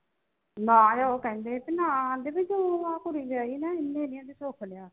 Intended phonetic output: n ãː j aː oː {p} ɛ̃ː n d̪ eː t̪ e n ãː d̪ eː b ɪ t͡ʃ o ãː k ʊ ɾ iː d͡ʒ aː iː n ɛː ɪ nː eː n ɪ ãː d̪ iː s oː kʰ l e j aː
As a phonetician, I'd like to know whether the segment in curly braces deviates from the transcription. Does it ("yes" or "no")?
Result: yes